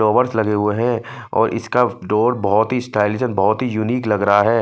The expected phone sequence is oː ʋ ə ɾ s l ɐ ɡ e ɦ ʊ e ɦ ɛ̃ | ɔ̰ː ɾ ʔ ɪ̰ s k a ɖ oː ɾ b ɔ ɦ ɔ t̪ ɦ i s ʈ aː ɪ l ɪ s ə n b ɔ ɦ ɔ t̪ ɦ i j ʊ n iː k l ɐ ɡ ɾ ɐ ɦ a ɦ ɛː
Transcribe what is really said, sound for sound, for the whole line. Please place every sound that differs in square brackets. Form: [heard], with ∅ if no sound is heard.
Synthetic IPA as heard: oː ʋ ə ɾ s l ɐ ɡ e ɦ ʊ e ɦ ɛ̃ | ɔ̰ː ɾ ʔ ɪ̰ s k a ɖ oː ɾ b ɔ ɦ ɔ t̪ ɦ i s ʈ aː ɪ l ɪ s ə n b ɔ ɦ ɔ t̪ ɦ i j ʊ n iː k l ɐ ɡ ɾ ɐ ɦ a ɦ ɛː